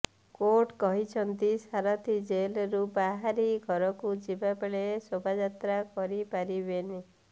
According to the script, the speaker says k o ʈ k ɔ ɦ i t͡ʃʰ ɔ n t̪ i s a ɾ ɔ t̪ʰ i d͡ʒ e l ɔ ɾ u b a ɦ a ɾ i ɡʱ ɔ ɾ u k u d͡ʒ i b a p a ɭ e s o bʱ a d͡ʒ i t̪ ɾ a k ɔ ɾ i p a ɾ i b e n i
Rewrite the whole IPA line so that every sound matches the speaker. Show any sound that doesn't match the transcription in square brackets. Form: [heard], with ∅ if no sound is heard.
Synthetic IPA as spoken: k o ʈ k ɔ ɦ i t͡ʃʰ ɔ n t̪ i s a ɾ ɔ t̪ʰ i d͡ʒ e l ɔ ɾ u b a ɦ a ɾ i ɡʱ ɔ ɾ [ɔ] k u d͡ʒ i b a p [e] ɭ e s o bʱ a d͡ʒ [a] t̪ ɾ a k ɔ ɾ i p a ɾ i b e n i